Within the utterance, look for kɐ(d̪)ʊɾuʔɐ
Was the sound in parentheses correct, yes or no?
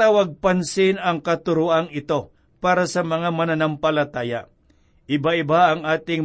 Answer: no